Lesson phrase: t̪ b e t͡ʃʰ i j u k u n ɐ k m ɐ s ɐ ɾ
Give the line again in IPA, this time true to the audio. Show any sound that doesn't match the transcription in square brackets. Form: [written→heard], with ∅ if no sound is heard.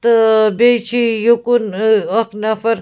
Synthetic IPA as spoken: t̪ b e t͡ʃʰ i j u k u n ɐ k [m→n] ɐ [s→f] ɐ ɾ